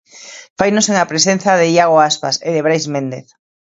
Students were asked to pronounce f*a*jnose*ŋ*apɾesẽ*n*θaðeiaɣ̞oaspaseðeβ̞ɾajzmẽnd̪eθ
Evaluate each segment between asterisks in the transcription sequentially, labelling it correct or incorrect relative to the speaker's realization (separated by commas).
correct, correct, correct